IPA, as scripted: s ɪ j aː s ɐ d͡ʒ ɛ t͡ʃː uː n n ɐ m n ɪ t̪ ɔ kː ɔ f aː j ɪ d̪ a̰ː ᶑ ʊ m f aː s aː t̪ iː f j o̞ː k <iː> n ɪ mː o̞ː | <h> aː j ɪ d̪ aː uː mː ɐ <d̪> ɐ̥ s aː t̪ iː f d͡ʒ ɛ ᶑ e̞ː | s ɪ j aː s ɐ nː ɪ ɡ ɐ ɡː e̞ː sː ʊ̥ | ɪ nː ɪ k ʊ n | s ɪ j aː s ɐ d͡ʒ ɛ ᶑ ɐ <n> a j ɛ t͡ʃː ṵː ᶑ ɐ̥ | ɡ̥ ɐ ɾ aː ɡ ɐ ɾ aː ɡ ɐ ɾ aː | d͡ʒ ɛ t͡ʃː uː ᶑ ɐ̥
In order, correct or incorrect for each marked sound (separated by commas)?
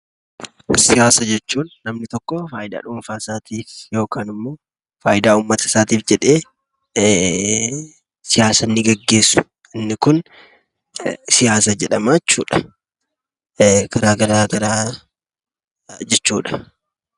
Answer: incorrect, incorrect, incorrect, incorrect